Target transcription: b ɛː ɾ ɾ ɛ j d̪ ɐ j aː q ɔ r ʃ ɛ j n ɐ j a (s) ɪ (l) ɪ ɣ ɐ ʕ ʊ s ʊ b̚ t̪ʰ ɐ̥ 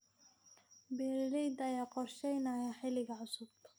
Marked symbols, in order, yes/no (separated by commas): no, yes